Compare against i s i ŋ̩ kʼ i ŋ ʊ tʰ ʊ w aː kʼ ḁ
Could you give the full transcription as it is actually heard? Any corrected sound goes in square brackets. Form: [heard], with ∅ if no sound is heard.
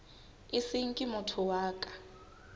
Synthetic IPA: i s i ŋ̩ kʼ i [m] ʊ tʰ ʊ w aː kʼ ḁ

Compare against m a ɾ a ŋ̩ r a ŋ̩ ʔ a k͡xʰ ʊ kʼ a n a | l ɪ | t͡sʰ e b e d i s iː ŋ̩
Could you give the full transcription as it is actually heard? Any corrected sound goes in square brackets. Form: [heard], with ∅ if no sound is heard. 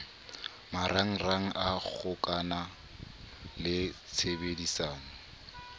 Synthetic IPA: m a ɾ a ŋ̩ r a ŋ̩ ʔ a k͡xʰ ʊ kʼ a n a | l ɪ | t͡sʰ e b e d i s [aː] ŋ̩

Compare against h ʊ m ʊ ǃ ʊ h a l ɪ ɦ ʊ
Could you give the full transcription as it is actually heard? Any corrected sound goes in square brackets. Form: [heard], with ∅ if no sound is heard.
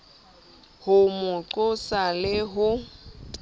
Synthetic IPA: h ʊ m ʊ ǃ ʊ [s] a l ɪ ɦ ʊ

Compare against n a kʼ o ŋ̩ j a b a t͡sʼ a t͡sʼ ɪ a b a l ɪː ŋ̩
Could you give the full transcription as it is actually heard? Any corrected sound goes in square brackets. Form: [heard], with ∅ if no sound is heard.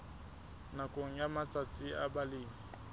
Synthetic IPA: n a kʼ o ŋ̩ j a [m] a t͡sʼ a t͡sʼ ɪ a b a l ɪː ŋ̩

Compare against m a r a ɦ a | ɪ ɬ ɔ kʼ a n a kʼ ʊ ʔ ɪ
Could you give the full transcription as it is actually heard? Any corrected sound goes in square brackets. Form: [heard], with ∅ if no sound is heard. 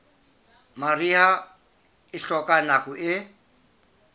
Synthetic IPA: m a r [i] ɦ a | ɪ ɬ ɔ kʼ a n a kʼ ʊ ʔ ɪ

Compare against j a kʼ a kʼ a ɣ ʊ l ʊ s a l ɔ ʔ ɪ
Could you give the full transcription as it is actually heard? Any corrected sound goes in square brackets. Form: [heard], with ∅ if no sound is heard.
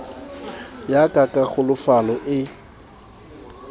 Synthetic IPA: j a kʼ a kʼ a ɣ ʊ l ʊ [f] a l ɔ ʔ ɪ

